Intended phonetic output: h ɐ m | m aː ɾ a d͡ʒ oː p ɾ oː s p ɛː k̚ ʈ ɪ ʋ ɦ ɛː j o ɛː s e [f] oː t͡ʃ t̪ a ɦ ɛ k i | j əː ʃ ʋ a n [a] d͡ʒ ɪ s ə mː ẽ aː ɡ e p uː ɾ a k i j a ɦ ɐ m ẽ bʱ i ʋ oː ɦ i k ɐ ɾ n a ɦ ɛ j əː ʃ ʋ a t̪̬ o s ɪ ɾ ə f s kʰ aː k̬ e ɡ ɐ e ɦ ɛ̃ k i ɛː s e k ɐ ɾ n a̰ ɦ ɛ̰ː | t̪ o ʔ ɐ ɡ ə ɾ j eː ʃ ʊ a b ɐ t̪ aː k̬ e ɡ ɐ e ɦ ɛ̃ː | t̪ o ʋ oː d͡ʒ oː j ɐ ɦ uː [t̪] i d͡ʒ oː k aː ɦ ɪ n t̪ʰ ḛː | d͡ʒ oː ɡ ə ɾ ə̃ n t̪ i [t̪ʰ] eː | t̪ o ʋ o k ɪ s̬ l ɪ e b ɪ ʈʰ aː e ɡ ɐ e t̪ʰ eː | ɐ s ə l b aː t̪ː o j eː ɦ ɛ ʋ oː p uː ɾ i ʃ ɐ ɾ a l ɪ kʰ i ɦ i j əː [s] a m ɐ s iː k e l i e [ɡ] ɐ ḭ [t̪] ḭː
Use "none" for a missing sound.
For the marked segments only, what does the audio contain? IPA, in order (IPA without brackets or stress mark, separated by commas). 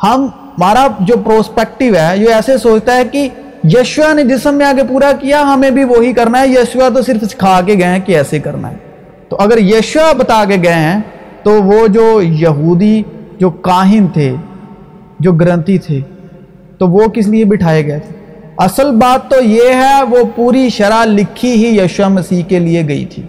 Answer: s, e, d̪, t̪ʰ, ʃ, ɡ, t̪ʰ